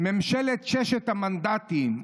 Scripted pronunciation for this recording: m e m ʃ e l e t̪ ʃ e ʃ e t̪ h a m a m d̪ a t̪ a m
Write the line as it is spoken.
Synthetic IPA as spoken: m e m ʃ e l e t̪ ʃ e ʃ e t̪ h a m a n d̪ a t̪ i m